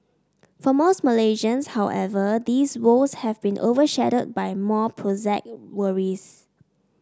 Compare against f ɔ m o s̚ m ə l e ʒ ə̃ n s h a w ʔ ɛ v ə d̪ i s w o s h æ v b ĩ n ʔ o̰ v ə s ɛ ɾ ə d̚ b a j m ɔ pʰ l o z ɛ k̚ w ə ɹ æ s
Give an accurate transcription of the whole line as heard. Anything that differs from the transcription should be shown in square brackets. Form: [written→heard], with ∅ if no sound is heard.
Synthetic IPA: f ɔ m o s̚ m ə l e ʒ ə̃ n s h a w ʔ ɛ v ə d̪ i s w o s h [æ→ɛ] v b ĩ n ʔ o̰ v ə [s→ʃ] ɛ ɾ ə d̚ b a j m ɔ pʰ [l→ɹ] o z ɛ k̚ w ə ɹ [æ→i] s